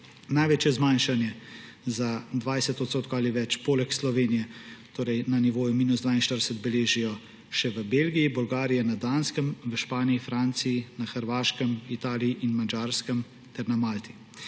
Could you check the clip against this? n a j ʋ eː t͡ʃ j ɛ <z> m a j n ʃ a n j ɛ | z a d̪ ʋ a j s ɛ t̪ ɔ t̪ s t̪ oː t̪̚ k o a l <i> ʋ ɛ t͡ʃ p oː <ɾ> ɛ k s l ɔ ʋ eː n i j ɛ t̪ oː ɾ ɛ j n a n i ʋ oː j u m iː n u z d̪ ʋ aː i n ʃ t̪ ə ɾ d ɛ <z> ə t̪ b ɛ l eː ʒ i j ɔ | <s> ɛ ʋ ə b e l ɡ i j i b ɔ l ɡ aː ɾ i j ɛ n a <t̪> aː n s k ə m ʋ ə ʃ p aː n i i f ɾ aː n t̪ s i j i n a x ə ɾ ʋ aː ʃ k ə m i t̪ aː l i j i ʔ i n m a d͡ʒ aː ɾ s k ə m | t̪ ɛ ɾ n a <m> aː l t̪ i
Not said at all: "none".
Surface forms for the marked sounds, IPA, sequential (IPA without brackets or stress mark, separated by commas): z, i, l, s, ʃ, d̪, m